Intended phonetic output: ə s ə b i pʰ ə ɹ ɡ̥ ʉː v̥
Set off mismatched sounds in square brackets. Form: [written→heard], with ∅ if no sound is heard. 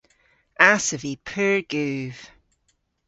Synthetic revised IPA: [ə→a] s ə [b→v] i pʰ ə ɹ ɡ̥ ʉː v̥